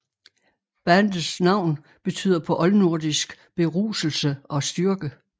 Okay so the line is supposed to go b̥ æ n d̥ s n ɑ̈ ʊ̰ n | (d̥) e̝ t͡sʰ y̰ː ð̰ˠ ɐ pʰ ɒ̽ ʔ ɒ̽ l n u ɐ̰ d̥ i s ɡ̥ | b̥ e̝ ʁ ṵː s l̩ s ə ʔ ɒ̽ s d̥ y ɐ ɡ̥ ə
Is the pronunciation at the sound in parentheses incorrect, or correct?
incorrect